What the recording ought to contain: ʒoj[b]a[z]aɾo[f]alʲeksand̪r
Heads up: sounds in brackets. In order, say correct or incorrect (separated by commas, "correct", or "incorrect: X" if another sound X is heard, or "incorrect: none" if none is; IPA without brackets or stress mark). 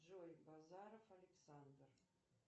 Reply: correct, correct, correct